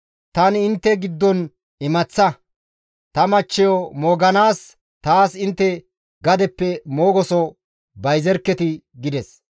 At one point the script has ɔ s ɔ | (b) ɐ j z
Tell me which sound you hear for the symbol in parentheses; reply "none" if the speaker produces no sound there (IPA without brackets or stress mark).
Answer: b